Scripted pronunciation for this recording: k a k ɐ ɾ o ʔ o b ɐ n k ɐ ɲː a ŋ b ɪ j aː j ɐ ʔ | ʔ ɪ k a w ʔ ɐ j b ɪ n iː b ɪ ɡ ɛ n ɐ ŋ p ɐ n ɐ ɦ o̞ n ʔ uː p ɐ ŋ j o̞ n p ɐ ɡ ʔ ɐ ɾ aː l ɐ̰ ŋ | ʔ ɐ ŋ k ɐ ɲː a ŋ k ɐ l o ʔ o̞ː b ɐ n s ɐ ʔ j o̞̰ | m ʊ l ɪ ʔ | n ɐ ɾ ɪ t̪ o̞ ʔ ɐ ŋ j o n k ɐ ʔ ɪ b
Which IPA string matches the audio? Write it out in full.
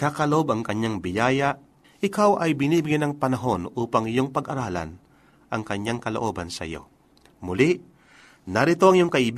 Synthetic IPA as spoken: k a k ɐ l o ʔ o b ɐ ŋ k ɐ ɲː a ŋ b ɪ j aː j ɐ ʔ | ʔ ɪ k a w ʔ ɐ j b ɪ n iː b ɪ ɡ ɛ n ɐ ŋ p ɐ n ɐ ɦ o̞ n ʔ uː p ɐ ŋ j o̞ ŋ p ɐ ɡ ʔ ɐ ɾ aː l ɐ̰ n | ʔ ɐ ŋ k ɐ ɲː a ŋ k ɐ l o ʔ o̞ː b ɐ n s ɐ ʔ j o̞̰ | m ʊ l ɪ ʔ | n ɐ ɾ ɪ t̪ o̞ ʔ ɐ ŋ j o ŋ k ɐ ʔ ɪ b